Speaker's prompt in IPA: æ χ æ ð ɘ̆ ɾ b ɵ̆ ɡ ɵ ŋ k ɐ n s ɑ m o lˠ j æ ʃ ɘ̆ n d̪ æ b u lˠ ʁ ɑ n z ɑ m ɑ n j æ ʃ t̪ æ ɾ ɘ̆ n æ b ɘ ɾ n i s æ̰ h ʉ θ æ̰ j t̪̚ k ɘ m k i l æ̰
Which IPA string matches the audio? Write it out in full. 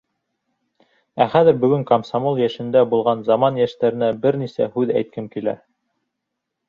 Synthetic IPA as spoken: æ χ æ ð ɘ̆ ɾ b ɵ̆ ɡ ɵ ŋ k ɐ m s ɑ m o lˠ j æ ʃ ɘ̆ n d̪ æ b u lˠ ʁ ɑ n z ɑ m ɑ n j æ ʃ t̪ æ ɾ ɘ̆ n æ b ɘ ɾ n i s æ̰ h ʉ ð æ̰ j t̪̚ k ɘ m k i l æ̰